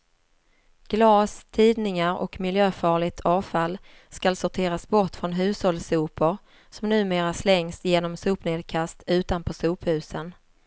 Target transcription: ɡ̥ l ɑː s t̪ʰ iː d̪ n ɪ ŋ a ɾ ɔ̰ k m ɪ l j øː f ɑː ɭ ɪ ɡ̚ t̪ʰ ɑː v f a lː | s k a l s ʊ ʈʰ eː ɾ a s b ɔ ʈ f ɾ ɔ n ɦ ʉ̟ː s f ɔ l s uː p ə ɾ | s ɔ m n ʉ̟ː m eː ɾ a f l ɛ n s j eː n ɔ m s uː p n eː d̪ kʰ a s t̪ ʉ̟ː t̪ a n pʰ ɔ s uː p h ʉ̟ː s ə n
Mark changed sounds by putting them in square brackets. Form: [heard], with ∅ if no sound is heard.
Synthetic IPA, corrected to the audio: ɡ̥ l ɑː s t̪ʰ iː d̪ n ɪ ŋ a ɾ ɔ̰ k m ɪ l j øː f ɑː ɭ ɪ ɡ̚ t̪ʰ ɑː v f a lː | s k a l s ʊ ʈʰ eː ɾ a s b ɔ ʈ f ɾ ɔ n ɦ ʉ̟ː s [h] ɔ l s uː p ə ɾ | s ɔ m n ʉ̟ː m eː ɾ a [s] l ɛ [ŋ] s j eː n ɔ m s uː p n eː d̪ kʰ a s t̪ ʉ̟ː t̪ a n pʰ ɔ s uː p h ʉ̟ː s ə n